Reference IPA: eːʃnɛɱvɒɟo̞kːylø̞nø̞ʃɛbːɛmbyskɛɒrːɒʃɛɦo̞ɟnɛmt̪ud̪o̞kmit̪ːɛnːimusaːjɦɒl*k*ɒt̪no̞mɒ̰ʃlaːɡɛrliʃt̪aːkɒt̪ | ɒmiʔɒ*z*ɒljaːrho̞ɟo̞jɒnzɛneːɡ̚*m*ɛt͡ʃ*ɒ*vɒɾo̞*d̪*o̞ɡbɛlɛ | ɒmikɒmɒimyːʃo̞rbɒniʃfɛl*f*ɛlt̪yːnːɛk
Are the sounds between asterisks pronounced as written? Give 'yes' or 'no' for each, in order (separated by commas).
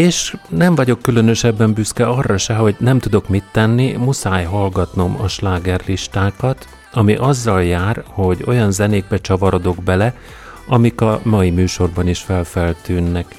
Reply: no, no, no, yes, yes, yes